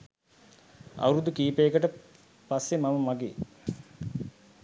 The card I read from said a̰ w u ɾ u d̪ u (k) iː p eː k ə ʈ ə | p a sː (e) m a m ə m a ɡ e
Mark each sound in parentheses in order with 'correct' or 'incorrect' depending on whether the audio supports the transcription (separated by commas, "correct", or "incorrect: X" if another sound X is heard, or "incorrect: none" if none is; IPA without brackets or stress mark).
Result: correct, correct